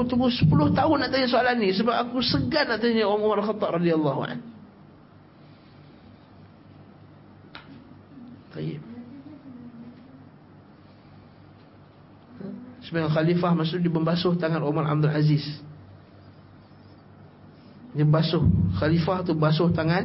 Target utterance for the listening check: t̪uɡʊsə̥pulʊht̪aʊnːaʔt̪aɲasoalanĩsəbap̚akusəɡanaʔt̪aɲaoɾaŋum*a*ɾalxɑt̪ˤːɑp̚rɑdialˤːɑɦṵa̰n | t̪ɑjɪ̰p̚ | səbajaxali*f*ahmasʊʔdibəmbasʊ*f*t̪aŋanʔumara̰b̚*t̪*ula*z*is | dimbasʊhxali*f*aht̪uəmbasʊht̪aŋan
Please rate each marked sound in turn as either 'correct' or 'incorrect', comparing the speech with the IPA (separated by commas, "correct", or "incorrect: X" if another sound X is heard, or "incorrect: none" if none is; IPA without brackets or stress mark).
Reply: correct, correct, incorrect: h, incorrect: d̪, correct, correct